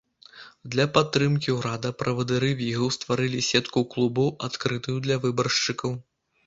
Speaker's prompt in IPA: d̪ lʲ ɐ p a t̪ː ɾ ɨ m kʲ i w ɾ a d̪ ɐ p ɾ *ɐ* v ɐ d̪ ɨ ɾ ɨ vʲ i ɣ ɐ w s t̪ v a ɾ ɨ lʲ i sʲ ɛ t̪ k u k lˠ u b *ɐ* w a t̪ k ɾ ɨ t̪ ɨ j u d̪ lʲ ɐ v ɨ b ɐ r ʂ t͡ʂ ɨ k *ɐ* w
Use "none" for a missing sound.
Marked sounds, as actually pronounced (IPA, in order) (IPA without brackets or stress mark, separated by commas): ɐ, ɐ, ɐ